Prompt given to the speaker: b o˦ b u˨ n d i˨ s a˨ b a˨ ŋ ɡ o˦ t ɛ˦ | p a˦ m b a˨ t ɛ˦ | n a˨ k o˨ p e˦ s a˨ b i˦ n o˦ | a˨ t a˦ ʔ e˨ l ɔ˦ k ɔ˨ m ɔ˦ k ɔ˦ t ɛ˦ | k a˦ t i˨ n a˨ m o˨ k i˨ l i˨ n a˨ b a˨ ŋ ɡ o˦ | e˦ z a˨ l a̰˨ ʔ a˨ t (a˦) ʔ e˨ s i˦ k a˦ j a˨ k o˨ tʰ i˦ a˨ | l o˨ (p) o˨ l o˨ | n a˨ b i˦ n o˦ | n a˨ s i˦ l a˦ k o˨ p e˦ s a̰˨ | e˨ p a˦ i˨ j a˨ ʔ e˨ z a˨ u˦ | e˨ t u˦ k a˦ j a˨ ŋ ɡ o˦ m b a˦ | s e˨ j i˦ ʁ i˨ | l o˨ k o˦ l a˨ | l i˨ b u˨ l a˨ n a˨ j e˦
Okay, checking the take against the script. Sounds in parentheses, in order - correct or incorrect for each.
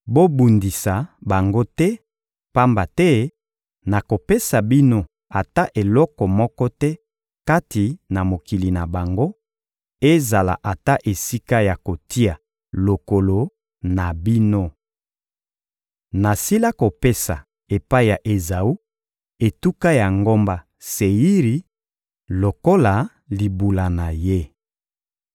correct, incorrect: k

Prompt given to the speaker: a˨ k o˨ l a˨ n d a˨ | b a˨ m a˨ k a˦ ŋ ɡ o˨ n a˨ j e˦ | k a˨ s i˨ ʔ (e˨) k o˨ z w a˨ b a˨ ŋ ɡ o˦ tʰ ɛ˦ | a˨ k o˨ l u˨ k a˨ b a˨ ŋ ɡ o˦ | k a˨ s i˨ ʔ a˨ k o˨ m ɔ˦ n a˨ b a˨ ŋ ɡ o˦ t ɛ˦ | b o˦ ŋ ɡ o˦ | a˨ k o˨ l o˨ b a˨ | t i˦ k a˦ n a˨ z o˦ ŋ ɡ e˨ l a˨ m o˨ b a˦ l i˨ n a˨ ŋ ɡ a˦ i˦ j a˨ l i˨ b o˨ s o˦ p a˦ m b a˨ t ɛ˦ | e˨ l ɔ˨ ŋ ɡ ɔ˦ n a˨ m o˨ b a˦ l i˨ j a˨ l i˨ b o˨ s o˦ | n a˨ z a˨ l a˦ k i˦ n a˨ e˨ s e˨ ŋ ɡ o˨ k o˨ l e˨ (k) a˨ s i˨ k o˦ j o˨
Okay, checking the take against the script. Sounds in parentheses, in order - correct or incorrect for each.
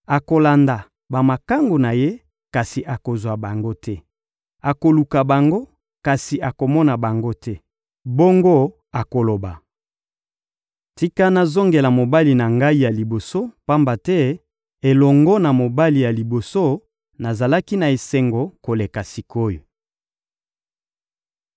incorrect: a˨, correct

